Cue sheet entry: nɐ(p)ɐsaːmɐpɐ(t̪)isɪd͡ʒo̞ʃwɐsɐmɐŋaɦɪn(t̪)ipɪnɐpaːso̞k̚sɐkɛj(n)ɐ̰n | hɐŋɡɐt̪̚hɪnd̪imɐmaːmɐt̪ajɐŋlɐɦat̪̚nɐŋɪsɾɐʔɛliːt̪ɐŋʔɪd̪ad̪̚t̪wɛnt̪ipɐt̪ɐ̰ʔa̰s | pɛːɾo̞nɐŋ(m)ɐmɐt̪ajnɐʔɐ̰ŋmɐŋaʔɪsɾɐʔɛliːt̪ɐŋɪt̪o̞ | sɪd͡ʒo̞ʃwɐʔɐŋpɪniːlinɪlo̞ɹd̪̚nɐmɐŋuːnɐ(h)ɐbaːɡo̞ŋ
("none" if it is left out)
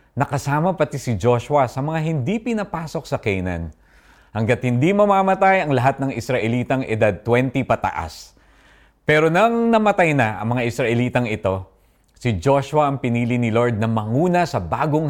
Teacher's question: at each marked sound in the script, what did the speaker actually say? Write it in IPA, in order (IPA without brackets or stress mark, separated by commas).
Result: k, t̪, d̪, n, n, s